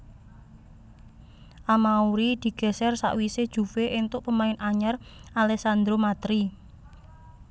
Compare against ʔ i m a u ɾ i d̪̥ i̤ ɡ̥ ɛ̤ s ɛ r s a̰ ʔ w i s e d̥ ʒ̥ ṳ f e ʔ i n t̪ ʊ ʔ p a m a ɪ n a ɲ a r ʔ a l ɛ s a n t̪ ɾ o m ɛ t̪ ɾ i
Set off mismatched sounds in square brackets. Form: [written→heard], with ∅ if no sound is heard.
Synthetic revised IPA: ʔ [i→a] m a u ɾ i d̪̥ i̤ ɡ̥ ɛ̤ s ɛ r s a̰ ʔ w i s e d̥ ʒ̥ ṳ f e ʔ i n t̪ ʊ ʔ p [a→ə] m a ɪ n a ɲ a r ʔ a l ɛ s a n [t̪→d̪] ɾ o m [ɛ→a] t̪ ɾ i